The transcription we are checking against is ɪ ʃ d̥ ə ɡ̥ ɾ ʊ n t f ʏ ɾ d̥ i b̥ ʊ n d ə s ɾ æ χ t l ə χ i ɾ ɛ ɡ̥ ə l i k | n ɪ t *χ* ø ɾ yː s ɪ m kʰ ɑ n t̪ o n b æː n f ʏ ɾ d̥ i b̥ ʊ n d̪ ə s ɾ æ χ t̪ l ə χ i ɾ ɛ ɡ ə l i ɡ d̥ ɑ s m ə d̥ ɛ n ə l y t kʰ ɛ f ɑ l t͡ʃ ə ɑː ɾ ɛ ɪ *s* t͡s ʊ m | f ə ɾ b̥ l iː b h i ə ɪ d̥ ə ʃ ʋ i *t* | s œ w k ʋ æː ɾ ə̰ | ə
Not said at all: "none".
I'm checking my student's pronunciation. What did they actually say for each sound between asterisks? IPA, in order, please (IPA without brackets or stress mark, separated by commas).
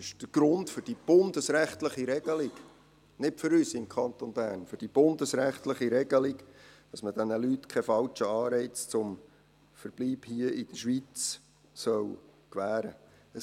f, t͡s, t͡s